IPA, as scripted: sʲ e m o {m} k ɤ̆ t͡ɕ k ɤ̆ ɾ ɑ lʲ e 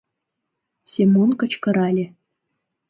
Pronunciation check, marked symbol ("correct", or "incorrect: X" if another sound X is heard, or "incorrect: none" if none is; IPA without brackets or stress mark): incorrect: n